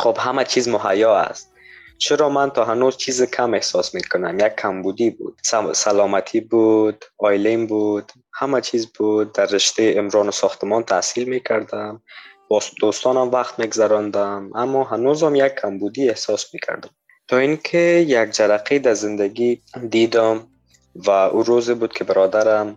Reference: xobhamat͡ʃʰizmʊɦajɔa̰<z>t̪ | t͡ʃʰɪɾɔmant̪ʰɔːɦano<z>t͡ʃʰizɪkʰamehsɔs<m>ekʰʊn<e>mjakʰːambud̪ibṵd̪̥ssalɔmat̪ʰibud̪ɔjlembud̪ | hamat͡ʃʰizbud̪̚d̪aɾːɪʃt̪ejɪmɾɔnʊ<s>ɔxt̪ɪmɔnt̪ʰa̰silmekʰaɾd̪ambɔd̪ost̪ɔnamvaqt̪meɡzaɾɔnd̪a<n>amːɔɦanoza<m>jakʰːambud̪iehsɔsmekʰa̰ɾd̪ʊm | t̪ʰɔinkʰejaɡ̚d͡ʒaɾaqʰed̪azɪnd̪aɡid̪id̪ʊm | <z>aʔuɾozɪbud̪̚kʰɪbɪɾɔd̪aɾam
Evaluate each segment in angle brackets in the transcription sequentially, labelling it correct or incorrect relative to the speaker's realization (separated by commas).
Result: incorrect, correct, correct, incorrect, correct, incorrect, correct, incorrect